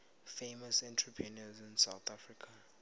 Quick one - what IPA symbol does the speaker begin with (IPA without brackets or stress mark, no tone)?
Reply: f